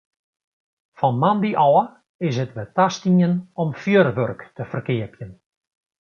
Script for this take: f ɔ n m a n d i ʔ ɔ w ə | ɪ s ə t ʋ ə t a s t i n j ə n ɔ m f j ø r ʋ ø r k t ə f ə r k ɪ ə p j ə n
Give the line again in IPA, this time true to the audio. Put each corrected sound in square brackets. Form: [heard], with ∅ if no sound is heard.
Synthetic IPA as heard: f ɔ n m a n d i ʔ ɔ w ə | ɪ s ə t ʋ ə t a s t i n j ə n ɔ m f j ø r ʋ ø r k t ə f ə r k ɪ ə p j ə n